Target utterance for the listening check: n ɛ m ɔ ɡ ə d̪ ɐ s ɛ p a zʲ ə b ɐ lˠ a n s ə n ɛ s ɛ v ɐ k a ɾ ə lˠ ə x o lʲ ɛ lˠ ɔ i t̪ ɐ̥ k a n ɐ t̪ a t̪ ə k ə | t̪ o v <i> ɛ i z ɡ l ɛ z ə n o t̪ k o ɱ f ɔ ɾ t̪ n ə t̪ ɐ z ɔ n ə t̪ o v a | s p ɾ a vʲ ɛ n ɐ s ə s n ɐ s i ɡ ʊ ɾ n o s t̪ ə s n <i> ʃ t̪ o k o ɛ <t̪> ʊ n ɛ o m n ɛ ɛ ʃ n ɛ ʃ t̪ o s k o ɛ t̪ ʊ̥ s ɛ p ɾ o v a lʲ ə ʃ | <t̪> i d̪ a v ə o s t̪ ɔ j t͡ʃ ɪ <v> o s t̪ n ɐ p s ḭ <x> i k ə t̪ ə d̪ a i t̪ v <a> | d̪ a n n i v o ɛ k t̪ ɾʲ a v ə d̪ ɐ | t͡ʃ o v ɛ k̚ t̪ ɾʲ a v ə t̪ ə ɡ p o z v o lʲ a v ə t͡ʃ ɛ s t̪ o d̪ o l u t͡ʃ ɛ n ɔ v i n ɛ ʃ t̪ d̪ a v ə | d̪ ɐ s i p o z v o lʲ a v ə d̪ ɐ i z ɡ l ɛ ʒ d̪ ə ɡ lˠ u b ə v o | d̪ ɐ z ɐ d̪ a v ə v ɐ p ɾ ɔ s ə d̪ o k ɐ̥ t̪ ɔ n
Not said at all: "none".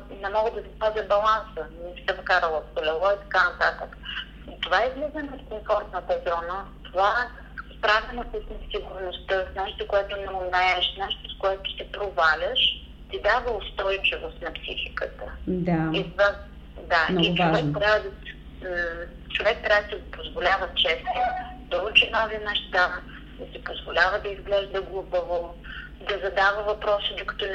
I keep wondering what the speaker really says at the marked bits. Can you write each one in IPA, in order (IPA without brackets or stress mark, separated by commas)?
a, ɛ, t̪, t̪, v, x, a